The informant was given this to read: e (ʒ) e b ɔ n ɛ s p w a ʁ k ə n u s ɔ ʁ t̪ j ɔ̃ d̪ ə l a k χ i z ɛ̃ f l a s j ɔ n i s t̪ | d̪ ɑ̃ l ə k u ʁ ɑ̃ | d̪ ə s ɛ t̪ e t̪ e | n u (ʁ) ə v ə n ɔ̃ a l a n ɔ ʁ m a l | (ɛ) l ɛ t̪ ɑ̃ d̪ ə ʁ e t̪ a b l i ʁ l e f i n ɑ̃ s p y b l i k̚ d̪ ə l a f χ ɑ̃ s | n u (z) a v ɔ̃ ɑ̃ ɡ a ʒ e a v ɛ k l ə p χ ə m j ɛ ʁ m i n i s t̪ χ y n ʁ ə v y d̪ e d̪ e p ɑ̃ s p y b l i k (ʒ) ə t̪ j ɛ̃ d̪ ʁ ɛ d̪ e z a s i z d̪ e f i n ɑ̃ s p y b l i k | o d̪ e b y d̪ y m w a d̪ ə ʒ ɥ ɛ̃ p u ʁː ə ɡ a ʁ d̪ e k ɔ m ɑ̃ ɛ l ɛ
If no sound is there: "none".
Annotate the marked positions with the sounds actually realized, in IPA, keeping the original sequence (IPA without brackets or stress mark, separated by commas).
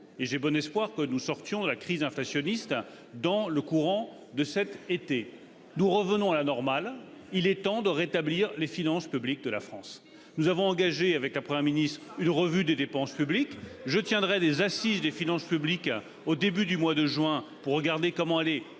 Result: ʒ, ʁ, i, z, ʒ